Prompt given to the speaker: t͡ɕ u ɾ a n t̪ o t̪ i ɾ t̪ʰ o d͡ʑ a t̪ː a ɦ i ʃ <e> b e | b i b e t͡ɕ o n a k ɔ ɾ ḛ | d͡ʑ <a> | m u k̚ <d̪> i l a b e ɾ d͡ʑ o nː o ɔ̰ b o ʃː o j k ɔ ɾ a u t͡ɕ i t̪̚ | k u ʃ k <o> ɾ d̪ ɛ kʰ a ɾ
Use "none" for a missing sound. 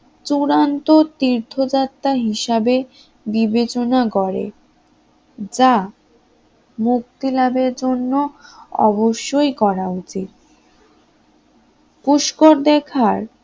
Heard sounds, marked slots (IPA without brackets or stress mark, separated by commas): a, a, t̪, o